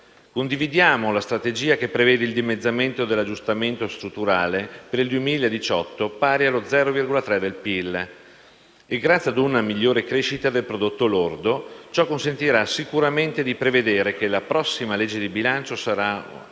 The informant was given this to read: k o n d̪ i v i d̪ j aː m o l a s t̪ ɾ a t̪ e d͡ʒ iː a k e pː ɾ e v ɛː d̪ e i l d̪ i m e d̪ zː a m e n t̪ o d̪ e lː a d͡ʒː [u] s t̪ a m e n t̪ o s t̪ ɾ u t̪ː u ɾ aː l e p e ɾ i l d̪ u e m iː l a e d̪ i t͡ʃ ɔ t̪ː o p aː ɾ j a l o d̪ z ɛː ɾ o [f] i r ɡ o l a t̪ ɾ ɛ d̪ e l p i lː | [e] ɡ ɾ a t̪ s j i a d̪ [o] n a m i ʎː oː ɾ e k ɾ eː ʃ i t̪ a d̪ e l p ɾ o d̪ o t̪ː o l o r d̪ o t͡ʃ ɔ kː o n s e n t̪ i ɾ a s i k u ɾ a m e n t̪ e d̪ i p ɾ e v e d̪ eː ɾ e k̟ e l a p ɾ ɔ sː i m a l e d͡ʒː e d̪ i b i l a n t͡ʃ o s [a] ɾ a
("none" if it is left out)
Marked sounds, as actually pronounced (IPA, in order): u, v, e, u, a

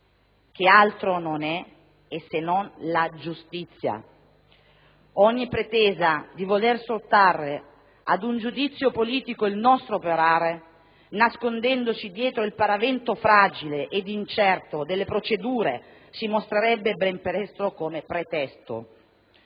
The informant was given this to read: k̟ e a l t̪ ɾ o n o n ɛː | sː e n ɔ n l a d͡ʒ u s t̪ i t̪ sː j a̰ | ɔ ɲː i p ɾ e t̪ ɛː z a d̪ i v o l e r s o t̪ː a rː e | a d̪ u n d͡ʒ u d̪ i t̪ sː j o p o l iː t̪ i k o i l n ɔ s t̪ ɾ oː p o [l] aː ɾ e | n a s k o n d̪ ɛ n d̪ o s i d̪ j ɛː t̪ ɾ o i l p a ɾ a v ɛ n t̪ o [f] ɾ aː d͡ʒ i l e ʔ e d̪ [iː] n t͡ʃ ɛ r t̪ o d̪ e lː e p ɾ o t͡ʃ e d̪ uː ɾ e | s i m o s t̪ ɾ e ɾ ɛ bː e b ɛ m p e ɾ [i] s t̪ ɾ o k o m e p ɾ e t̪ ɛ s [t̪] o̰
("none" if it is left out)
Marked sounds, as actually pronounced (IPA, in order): ɾ, f, i, ɛ, t̪

